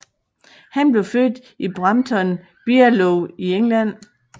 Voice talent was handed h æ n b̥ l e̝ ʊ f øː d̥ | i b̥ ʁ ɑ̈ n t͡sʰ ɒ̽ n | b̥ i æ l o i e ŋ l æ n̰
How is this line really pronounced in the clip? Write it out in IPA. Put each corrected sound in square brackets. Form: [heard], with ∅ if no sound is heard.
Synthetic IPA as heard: h æ n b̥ l e̝ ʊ f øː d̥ | i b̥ ʁ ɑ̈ [m] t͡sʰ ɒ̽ n | b̥ i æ l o i e ŋ l æ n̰